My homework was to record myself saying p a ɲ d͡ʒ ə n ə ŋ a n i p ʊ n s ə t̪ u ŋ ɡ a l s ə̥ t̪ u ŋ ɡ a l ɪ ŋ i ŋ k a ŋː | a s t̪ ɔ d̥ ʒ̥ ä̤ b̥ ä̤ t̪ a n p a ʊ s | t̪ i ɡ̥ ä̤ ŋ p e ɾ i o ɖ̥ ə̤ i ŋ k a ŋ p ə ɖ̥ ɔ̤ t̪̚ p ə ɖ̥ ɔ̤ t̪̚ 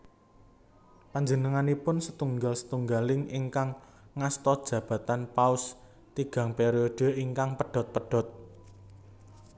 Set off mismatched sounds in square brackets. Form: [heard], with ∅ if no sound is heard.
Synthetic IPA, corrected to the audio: p a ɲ d͡ʒ ə n ə ŋ a n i p ʊ n s ə t̪ u ŋ ɡ a l s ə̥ t̪ u ŋ ɡ a l ɪ ŋ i ŋ k a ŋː | a s t̪ ɔ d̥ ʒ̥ ä̤ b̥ ä̤ t̪ a n p a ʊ s | t̪ i ɡ̥ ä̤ ŋ p e ɾ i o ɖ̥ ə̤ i ŋ k a ŋ p ə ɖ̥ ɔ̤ t̪̚ p ə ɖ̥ ɔ̤ t̪̚